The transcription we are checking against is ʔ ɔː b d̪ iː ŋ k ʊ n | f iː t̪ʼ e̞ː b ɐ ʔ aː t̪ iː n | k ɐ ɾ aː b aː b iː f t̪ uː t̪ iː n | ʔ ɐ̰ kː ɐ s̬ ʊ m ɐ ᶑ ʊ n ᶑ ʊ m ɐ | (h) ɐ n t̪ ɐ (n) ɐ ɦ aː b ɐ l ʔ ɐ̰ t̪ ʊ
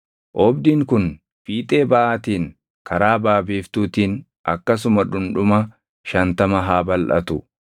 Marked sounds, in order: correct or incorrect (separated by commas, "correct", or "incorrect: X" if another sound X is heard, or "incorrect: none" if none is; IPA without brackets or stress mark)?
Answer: incorrect: ʃ, incorrect: m